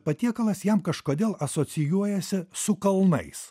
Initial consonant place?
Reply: labial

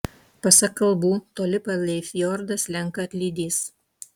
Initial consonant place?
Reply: labial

